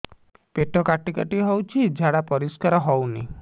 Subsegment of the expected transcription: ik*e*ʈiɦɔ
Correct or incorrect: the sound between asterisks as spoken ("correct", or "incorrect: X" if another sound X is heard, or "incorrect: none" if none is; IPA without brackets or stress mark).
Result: incorrect: a